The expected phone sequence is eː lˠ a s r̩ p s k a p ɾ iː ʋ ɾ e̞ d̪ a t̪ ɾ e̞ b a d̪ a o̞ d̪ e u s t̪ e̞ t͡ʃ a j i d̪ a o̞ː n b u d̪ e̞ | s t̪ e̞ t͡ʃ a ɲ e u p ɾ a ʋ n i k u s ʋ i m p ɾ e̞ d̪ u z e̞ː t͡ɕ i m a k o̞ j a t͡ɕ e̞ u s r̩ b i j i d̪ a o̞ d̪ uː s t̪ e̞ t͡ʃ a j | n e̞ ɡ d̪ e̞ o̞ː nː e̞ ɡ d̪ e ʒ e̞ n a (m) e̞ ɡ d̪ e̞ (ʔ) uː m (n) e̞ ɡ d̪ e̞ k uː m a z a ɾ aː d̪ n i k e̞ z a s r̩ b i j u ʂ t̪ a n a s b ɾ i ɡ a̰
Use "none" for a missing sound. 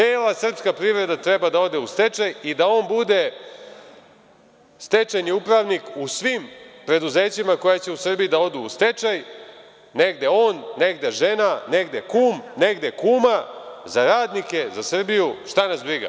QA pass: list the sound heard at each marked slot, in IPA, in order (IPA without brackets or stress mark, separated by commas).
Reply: n, k, n